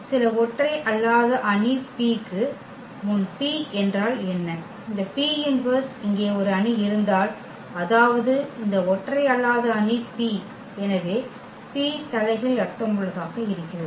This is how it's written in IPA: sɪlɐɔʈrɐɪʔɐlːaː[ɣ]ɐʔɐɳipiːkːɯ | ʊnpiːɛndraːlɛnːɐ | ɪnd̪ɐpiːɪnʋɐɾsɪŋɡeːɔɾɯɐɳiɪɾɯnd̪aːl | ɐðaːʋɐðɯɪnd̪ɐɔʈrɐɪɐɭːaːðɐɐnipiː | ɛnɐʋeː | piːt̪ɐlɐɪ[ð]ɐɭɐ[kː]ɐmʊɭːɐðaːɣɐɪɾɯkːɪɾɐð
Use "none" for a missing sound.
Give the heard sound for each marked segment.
ð, ɣ, ʈː

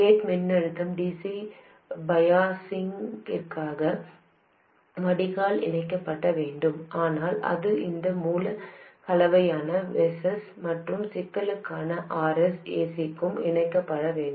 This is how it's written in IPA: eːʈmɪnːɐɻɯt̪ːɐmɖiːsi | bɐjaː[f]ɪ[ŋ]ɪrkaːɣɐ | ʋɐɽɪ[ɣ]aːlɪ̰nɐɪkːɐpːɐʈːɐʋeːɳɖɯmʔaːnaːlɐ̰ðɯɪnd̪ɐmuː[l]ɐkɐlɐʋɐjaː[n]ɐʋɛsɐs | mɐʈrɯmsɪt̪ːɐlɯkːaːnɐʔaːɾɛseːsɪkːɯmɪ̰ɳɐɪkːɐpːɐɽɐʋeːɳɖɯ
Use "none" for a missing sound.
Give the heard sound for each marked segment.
s, ŋ, ɣ, l, n

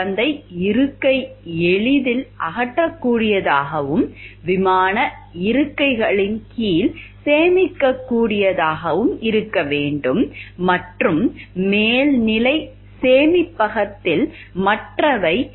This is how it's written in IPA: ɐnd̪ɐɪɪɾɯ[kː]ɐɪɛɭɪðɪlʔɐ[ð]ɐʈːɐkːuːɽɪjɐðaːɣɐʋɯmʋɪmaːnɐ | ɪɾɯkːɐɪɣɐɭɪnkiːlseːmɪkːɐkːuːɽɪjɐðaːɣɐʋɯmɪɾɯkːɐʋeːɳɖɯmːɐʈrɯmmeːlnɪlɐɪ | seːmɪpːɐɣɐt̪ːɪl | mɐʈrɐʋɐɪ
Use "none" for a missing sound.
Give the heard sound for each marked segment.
kː, ɣ

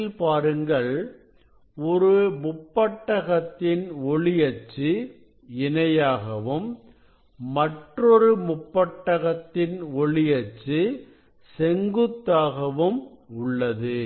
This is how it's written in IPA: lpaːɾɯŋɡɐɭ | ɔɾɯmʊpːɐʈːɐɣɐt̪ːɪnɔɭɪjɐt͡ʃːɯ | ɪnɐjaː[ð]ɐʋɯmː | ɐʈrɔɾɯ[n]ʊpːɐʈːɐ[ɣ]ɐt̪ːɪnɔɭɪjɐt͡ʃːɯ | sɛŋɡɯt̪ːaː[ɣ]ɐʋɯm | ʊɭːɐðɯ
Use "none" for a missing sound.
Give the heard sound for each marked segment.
ɣ, m, ɣ, ɣ

